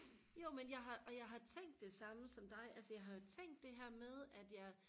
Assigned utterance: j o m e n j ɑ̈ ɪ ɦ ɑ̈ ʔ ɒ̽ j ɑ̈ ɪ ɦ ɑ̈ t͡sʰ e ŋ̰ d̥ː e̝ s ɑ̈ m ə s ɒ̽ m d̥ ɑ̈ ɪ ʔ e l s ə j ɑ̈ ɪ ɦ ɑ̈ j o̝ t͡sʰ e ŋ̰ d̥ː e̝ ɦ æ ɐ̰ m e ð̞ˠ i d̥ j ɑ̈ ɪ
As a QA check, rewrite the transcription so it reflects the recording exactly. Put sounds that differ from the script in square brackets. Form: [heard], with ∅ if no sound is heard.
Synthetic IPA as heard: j o m e n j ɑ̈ ɪ ɦ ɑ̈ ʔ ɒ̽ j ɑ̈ ɪ ɦ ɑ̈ t͡sʰ e ŋ̰ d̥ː e̝ s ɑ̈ m ə s ɒ̽ m d̥ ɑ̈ ɪ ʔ [æ] l s ə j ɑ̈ ɪ ɦ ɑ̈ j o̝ t͡sʰ e ŋ̰ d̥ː e̝ ɦ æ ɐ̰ m e ð̞ˠ [æ] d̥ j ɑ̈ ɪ